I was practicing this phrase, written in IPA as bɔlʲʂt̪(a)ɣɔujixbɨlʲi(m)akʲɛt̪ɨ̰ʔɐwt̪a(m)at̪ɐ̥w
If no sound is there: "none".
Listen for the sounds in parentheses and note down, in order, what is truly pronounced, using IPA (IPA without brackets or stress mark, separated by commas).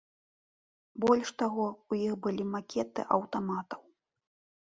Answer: a, m, m